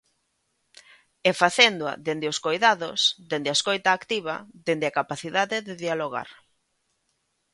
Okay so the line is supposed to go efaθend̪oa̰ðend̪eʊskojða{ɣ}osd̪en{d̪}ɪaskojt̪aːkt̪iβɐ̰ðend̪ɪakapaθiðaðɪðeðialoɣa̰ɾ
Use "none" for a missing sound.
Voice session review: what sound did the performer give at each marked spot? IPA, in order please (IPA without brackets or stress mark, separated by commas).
ð, d̪